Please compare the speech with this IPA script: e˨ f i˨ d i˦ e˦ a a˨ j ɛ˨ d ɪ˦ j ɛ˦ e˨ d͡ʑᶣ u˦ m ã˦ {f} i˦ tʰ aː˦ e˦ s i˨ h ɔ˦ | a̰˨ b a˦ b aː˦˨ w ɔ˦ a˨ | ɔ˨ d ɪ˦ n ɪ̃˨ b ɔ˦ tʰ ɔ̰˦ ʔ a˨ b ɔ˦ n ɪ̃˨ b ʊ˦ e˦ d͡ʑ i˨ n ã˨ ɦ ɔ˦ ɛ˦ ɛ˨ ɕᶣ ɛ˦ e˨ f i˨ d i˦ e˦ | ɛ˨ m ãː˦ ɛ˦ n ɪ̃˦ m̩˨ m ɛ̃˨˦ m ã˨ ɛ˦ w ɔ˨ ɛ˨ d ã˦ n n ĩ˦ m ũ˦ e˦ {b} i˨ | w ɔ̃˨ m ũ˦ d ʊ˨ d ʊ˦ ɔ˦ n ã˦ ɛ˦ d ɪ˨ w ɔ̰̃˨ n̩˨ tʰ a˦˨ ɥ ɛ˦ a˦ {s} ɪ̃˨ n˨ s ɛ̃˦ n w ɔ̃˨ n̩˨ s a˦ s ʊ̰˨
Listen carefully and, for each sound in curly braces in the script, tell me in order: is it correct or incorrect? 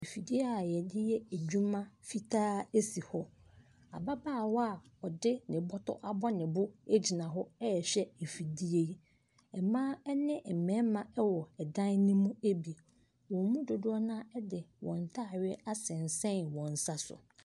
correct, correct, correct

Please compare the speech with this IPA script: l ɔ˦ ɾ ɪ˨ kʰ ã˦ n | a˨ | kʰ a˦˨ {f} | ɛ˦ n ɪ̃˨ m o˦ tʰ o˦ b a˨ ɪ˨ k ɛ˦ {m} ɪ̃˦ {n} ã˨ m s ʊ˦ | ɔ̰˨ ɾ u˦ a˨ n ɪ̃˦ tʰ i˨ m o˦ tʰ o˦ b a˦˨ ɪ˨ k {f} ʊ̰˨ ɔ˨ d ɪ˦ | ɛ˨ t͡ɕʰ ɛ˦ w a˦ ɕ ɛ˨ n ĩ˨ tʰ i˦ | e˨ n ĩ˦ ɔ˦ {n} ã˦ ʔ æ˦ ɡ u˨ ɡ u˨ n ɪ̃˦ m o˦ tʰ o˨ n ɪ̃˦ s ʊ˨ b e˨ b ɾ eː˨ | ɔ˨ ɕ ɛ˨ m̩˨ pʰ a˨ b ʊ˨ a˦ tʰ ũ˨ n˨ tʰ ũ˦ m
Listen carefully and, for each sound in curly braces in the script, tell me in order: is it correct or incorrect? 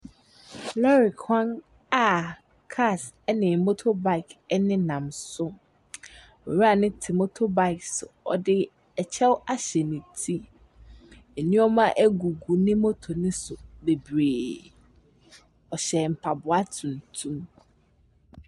incorrect: s, incorrect: n, correct, incorrect: s, incorrect: m

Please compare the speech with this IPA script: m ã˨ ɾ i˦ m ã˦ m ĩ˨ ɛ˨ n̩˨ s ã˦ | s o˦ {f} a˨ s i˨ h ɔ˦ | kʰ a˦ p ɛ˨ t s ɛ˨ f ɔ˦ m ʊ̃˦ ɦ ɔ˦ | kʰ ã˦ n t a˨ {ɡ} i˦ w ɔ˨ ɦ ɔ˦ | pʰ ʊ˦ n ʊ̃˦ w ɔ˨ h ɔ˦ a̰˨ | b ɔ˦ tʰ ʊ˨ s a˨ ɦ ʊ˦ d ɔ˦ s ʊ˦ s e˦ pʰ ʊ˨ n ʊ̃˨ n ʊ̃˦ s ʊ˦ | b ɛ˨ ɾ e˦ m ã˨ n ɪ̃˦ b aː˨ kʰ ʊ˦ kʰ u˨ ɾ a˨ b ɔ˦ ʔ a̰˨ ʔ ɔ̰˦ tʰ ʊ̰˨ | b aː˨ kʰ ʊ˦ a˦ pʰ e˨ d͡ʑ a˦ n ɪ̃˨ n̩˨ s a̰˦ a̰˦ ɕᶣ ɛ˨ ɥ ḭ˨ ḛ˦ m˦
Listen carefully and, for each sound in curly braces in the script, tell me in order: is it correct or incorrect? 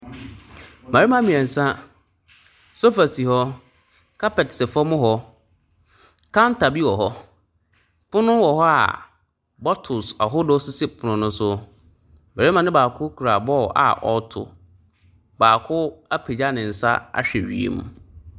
correct, incorrect: b

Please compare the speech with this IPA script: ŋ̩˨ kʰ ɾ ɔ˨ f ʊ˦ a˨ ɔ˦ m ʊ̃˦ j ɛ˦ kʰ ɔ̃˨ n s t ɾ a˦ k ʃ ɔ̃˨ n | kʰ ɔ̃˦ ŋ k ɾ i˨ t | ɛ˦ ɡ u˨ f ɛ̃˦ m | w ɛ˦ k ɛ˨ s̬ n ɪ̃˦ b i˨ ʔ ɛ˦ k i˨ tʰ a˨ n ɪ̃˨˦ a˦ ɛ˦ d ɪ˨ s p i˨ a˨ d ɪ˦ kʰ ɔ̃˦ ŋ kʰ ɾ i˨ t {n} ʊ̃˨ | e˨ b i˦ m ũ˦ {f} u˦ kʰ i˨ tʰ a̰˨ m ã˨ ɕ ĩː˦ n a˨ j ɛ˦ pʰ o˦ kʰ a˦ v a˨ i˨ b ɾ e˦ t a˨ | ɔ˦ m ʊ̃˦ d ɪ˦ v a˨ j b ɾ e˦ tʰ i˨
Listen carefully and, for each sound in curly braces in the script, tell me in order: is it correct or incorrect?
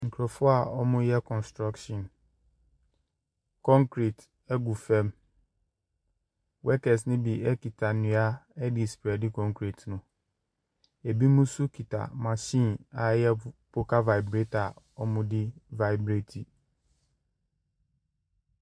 correct, incorrect: s

